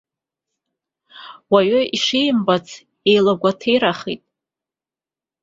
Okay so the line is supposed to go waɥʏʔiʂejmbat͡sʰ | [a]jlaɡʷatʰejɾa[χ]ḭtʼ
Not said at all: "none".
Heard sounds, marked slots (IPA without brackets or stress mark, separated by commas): e, χ